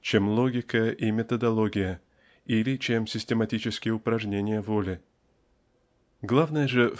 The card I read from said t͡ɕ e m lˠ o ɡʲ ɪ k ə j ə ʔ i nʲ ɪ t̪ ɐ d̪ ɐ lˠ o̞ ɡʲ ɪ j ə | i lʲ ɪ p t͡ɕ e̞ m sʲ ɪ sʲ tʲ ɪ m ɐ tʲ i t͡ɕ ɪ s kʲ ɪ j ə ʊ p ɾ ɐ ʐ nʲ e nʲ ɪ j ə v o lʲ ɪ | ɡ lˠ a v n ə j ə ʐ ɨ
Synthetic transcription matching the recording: t͡ɕ e m lˠ o ɡʲ ɪ k ə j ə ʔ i mʲ ɪ t̪ ə d̪ ɐ lˠ o̞ ɡʲ ɪ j ə | i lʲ ɪ t͡ɕ e̞ m sʲ ɪ sʲ tʲ ɪ m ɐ tʲ i t͡ɕ ɪ s kʲ ɪ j ə ʊ p ɾ ɐ ʐ nʲ e nʲ ɪ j ə v o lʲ ɪ | ɡ lˠ a v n ə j ə ʐ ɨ